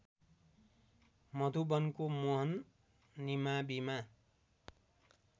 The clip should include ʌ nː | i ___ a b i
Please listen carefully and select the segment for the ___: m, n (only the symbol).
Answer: m